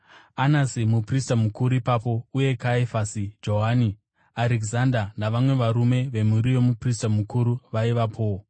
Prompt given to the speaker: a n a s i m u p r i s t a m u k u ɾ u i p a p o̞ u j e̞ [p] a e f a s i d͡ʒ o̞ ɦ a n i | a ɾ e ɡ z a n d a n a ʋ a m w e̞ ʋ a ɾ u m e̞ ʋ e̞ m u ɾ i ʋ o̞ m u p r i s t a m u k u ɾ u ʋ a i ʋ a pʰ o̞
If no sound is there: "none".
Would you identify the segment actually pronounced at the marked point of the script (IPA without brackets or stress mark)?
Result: k